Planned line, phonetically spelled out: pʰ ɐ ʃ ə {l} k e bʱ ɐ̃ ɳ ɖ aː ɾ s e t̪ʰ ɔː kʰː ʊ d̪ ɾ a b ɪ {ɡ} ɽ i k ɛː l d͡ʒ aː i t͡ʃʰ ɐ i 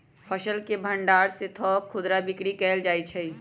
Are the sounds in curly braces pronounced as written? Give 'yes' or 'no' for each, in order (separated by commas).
yes, no